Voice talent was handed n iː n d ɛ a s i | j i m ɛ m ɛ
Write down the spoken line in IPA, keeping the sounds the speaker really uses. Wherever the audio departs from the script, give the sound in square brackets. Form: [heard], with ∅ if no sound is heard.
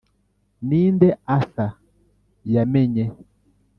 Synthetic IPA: n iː n d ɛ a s [a] | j [a] m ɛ [ɲ] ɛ